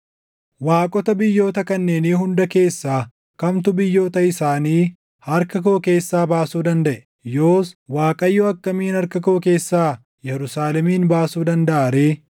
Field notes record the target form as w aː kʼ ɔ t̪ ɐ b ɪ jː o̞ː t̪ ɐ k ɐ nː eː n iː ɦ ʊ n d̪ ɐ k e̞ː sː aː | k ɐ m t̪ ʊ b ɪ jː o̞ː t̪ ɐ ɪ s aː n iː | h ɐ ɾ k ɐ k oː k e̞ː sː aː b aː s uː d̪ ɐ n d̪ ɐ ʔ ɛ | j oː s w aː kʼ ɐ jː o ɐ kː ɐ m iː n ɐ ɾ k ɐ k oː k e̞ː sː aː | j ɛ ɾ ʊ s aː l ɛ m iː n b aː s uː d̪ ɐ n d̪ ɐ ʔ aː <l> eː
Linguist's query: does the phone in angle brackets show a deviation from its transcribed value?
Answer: yes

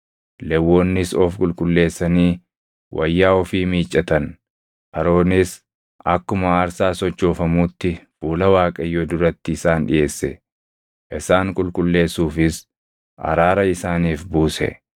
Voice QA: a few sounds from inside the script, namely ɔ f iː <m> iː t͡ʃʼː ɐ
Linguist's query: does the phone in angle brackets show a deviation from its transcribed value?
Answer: no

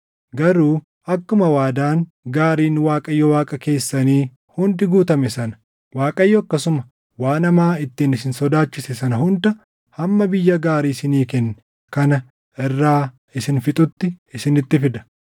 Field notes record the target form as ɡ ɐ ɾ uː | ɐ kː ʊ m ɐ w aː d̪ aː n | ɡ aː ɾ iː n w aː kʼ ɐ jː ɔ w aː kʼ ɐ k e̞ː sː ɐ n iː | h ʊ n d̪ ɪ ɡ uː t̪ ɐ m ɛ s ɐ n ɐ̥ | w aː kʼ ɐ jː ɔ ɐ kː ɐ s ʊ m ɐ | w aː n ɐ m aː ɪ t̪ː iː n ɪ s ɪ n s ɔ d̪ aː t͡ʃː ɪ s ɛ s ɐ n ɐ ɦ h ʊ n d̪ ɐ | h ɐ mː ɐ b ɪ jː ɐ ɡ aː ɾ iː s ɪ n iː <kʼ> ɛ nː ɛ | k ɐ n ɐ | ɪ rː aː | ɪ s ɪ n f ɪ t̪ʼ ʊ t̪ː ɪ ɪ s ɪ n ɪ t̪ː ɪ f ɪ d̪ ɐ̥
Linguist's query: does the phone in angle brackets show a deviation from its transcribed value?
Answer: yes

